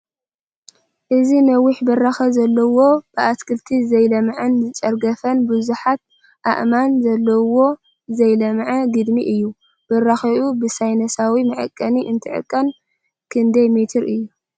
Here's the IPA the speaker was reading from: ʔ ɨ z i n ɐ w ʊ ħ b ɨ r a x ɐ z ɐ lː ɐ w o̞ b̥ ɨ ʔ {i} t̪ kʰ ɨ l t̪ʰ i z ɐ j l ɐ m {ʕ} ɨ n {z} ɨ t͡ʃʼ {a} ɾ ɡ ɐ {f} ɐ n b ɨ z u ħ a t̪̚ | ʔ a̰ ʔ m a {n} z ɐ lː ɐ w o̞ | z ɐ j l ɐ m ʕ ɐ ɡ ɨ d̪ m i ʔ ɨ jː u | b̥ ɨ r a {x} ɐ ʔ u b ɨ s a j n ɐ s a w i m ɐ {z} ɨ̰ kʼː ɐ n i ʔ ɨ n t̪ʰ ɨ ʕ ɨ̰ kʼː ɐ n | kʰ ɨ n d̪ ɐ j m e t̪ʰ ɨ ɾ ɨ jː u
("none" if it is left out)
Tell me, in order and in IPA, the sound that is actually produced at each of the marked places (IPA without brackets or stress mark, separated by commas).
a, ʕ, z, ɐ, f, n, x, ʕ